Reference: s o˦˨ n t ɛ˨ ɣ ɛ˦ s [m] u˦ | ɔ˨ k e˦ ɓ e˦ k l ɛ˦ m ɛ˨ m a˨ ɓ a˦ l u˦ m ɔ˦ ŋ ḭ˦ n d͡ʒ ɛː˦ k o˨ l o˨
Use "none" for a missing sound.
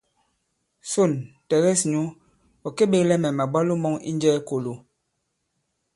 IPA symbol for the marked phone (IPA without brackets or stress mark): ɲ